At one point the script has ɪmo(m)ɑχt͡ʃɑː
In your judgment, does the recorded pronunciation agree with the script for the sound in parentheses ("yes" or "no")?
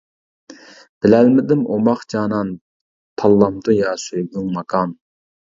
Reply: yes